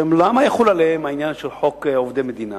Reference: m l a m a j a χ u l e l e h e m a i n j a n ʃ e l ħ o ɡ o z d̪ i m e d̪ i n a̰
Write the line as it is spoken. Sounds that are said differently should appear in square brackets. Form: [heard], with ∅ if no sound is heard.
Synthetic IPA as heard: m l a m a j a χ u l [a] l e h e m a i n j a n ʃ e l ħ o [k] o [v] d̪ [e] m e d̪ i n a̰